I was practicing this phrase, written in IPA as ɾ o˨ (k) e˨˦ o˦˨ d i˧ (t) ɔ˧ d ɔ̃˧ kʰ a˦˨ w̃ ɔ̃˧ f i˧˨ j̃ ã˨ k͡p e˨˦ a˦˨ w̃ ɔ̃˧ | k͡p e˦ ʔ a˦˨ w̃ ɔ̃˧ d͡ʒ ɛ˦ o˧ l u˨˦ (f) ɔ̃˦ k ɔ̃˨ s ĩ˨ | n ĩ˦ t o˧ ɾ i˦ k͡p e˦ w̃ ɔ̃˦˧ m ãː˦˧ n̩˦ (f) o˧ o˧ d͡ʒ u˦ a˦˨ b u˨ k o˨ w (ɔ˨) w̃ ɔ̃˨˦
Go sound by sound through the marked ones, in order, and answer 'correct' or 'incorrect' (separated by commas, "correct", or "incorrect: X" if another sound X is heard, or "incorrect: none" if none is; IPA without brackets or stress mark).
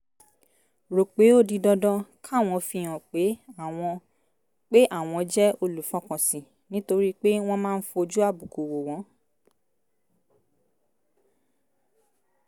incorrect: k͡p, incorrect: d, correct, correct, incorrect: o˨